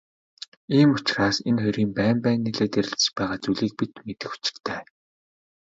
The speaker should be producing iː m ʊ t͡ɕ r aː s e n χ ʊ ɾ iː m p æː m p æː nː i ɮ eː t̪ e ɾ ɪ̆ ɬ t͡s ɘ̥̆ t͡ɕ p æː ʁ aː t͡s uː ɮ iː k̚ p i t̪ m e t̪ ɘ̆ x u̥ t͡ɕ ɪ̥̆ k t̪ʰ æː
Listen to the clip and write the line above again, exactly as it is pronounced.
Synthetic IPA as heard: iː m ʊ t͡ɕ r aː s e n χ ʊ ɾ iː m p æː m p æː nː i ɮ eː t̪ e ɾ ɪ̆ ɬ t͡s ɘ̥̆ t͡ɕ p æː ʁ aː t͡s u ɮ iː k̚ p i t̪ m e t̪ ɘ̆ x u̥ t͡ɕ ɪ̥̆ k t̪ʰ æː